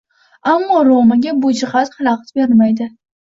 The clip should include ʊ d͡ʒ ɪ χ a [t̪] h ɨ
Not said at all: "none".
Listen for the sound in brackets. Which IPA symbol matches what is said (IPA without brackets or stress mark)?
t̪